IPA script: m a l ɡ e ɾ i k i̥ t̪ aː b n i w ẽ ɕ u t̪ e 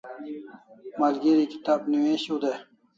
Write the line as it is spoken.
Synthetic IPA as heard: m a l ɡ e ɾ i k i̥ t̪ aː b n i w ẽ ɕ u d̪ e

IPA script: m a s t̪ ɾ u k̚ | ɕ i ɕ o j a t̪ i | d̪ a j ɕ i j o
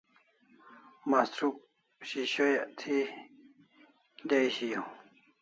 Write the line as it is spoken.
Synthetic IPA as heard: m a s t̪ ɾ u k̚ | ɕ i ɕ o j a t̪ʰ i | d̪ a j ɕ i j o

